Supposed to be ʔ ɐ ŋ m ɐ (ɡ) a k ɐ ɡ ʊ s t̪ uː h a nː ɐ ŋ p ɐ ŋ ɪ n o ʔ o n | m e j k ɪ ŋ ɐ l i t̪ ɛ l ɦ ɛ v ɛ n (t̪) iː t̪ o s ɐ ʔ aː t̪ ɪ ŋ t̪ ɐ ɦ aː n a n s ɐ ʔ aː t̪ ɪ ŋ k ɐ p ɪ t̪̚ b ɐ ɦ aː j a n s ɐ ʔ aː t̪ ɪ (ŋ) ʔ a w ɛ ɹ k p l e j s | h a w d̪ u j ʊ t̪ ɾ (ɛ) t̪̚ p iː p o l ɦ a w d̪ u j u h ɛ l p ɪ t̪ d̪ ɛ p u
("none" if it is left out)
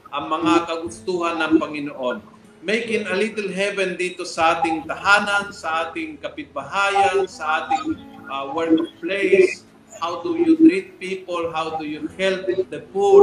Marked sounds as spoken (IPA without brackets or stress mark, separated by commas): ŋ, d̪, ŋ, i